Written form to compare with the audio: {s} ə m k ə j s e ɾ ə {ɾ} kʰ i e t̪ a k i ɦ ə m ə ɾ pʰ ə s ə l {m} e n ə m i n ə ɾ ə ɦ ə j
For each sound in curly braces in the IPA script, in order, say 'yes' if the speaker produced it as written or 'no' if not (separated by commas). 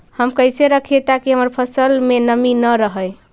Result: no, no, yes